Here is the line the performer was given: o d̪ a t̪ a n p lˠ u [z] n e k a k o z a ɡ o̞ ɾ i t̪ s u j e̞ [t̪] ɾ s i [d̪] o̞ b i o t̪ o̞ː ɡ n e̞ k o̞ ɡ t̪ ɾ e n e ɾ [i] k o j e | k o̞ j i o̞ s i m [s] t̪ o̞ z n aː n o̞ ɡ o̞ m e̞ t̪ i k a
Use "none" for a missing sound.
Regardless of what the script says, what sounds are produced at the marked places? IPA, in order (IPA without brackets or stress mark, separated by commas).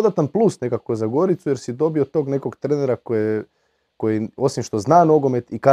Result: s, none, d̪, a, ʃ